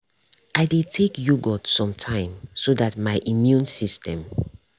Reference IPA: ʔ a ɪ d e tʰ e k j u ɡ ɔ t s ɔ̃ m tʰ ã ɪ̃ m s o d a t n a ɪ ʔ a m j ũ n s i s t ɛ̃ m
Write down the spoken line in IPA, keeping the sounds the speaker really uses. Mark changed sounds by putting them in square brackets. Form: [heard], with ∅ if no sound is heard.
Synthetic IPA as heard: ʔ a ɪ d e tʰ e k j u ɡ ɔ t s ɔ̃ m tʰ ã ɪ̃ m s o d a t [m] a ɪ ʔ [i] m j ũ n s i s t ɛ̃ m